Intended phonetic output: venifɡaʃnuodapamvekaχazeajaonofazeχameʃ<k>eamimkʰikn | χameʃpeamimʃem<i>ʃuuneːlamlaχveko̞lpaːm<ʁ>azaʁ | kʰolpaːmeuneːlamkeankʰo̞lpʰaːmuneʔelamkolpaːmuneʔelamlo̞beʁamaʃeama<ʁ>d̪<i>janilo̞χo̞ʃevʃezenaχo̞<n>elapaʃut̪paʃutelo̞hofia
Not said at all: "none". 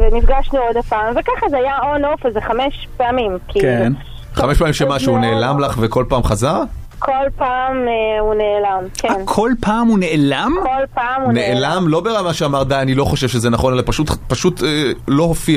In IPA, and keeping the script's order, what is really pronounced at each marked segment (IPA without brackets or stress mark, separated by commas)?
p, a, χ, ʁ, a, n